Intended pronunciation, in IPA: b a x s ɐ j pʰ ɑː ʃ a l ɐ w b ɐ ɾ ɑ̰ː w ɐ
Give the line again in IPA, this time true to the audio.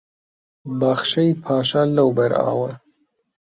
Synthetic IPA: b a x ʃ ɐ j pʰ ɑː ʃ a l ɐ w b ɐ ɾ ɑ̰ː w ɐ

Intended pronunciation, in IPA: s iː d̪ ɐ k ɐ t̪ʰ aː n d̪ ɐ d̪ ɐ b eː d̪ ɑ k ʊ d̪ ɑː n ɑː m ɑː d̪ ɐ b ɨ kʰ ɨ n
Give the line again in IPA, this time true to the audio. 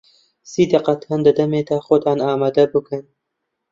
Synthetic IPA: s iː d̪ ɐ q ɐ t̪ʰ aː n d̪ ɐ d̪ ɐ m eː d̪ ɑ x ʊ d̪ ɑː n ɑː m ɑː d̪ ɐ b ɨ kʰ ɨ n

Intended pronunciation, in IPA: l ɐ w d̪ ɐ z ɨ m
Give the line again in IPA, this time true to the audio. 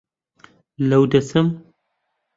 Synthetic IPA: l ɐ w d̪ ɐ s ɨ m

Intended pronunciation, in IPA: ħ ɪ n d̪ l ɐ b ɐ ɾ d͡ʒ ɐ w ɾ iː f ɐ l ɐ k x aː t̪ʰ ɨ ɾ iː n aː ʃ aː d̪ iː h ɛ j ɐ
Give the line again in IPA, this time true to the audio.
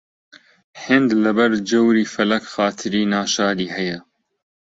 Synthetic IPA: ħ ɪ n d̪ l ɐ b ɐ ɾ d͡ʒ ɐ w ɾ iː f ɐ l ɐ k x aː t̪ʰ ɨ ɾ iː n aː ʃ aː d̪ iː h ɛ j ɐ

